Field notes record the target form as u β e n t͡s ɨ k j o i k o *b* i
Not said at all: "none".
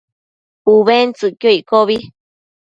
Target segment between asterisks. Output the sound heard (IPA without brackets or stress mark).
β